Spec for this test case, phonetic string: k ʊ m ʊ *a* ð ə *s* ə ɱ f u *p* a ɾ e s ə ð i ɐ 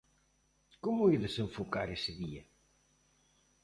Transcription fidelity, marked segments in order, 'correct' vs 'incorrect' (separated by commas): incorrect, correct, incorrect